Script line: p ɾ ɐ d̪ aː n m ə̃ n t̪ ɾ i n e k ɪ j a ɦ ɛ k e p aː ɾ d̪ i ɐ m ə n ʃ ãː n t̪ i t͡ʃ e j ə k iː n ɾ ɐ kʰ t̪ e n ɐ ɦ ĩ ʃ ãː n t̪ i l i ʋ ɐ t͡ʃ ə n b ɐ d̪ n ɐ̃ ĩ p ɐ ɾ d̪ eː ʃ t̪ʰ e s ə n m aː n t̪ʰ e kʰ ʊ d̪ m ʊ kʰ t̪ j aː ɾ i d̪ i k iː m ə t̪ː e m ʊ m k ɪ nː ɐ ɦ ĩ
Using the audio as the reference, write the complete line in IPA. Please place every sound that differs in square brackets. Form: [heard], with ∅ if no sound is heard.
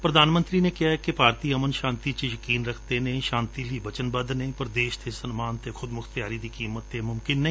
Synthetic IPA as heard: p ɾ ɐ d̪ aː n m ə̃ n t̪ ɾ i n e k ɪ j a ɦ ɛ k e p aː ɾ [t̪] i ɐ m ə n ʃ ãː n t̪ i t͡ʃ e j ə k iː n ɾ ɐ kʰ t̪ e n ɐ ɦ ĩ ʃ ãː n t̪ i l i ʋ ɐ t͡ʃ ə n b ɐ d̪ n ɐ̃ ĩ p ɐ ɾ d̪ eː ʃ t̪ʰ e s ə n m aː n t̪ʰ e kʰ ʊ d̪ m ʊ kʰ t̪ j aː ɾ i d̪ i k iː m ə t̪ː e m ʊ m k ɪ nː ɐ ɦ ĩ